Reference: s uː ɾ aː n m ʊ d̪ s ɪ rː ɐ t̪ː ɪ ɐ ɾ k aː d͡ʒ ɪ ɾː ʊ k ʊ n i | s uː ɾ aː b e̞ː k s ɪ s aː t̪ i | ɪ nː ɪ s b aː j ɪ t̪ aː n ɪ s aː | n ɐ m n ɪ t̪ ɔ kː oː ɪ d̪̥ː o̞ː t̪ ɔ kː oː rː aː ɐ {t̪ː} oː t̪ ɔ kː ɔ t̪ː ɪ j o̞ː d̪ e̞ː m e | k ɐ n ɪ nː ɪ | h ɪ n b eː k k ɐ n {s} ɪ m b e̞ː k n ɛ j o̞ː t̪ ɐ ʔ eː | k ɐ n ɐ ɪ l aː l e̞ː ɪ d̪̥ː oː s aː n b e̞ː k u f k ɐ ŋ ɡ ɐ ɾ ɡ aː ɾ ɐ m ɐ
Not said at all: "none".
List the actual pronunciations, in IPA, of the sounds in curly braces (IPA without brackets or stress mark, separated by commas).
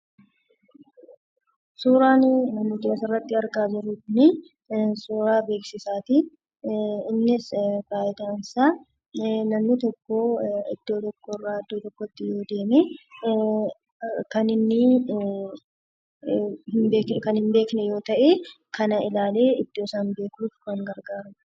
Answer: d̪ː, h